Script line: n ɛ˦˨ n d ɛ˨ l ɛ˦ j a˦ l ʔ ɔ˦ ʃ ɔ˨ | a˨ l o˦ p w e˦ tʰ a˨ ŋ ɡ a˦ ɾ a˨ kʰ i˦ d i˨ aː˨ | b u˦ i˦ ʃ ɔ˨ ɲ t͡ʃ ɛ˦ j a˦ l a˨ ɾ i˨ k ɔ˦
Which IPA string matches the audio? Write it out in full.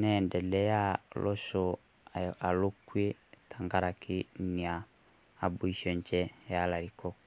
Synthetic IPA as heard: n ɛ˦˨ n d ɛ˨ l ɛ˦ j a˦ l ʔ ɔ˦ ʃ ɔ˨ | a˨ l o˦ k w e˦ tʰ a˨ ŋ ɡ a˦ ɾ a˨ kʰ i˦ n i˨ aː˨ | b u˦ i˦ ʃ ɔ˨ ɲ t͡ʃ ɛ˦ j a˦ l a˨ ɾ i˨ k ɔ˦